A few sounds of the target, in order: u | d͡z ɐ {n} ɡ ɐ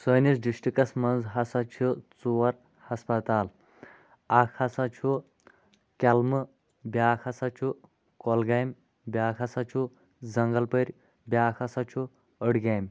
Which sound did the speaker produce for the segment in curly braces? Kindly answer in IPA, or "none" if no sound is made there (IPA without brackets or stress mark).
ŋ